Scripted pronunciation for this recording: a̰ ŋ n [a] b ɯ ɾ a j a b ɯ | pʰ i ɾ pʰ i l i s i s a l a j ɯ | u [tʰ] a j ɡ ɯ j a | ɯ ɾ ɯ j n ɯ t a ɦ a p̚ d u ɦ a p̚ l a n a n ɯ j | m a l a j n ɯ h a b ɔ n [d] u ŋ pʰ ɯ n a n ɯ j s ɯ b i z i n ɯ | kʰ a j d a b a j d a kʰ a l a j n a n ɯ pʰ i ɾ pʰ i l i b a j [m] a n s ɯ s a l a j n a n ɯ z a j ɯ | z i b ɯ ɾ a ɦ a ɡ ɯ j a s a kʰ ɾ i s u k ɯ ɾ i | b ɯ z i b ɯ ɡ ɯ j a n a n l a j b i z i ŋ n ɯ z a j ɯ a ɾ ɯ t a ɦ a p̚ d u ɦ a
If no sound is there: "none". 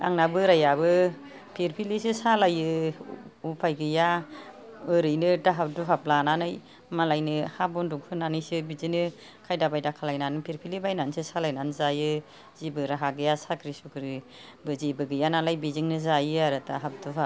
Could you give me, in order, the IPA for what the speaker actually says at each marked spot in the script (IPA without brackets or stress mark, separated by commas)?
a, pʰ, d, n